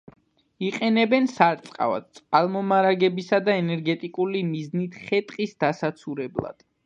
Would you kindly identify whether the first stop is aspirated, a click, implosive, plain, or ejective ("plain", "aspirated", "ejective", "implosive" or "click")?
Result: ejective